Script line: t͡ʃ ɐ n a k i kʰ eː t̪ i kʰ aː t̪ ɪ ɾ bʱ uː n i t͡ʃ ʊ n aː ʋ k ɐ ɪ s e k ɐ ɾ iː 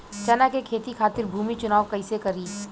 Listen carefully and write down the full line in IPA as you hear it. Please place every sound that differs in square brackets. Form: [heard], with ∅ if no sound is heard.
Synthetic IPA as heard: t͡ʃ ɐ n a k [e] kʰ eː t̪ i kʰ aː t̪ ɪ ɾ bʱ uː [m] i t͡ʃ ʊ n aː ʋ k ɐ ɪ s e k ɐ ɾ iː